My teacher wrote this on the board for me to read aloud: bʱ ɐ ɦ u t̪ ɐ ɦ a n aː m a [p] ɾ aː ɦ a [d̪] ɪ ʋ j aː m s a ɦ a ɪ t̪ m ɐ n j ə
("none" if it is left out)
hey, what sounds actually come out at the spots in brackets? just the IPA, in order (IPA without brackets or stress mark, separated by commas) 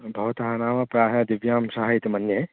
p, d̪